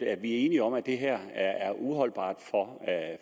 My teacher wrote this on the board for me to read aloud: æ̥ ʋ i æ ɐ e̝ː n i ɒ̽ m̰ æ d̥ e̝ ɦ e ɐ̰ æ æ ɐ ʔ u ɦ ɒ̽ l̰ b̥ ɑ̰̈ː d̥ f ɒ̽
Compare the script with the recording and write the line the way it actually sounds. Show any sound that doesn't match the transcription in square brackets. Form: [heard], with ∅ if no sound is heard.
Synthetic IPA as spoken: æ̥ ʋ i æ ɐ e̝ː n i ɒ̽ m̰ æ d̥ e̝ ɦ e ɐ̰ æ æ ɐ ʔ u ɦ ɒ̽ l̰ b̥ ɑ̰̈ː d̥ f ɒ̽